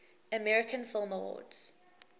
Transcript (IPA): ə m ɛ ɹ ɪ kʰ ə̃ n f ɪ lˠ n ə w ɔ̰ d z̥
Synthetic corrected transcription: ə m ɛ ɹ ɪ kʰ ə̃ n f ɪ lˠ m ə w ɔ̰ d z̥